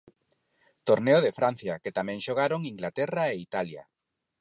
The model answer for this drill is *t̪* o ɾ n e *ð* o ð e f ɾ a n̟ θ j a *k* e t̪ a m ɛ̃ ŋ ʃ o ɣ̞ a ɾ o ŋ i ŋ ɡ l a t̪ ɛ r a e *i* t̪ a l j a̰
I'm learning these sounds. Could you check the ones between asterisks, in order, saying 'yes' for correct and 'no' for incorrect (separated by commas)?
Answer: yes, no, yes, yes